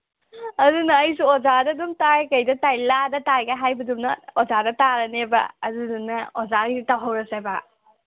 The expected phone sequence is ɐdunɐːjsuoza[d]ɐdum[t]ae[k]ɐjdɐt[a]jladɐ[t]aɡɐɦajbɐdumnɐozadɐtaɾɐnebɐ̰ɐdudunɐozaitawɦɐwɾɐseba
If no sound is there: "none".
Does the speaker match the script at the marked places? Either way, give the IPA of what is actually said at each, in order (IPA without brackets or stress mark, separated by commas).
d, t, k, a, t